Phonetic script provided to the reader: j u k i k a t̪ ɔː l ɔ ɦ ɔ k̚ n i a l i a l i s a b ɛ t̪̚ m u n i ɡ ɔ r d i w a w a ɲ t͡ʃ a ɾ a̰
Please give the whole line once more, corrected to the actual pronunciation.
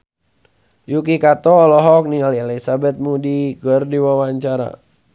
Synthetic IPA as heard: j u k i k a t̪ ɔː l ɔ ɦ ɔ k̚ n i a l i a l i s a b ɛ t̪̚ m u d i ɡ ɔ r d i w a w a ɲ t͡ʃ a ɾ a̰